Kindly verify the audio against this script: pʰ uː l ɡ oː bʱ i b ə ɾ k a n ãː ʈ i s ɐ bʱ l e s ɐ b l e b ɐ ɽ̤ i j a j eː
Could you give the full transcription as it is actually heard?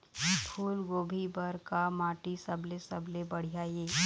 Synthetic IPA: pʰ uː l ɡ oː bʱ i b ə ɾ k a m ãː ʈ i s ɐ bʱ l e s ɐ b l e b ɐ ɽ̤ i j a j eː